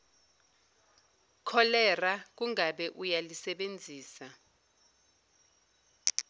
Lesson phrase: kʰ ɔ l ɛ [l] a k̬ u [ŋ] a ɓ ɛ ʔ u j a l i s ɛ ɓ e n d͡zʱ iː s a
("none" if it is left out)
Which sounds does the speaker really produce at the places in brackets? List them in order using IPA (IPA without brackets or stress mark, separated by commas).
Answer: r, ŋ